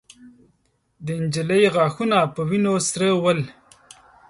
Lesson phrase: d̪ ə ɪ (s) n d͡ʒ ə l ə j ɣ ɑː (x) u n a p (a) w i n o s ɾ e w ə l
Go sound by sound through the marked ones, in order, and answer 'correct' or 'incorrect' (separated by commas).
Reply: incorrect, correct, incorrect